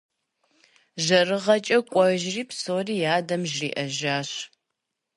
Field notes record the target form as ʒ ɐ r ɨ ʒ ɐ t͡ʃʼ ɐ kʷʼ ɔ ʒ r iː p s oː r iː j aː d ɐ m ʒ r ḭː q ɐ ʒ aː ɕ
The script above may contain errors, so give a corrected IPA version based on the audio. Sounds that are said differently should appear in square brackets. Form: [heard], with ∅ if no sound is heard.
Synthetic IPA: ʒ ɐ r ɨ [ʁ] ɐ t͡ʃʼ ɐ kʷʼ ɔ ʒ r iː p s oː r iː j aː d ɐ m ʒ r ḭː [ʔ] ɐ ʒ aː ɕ